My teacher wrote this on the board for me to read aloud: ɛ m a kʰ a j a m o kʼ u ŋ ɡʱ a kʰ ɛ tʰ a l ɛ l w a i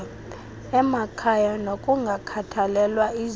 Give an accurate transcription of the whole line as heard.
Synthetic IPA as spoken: ɛ m a kʰ a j a n o kʼ u ŋ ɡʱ a kʰ a tʰ a l ɛ l w a i